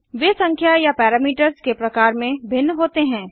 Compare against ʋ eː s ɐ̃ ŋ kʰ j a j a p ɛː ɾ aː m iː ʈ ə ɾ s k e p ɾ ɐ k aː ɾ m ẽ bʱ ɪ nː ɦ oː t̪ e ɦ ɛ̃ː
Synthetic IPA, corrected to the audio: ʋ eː s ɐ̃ ŋ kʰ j a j a p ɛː ɾ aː m iː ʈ ə ɾ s k e p ɾ ɐ k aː ɾ m ẽ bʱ ɪ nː ɦ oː t̪ e ɦ ɛ̃ː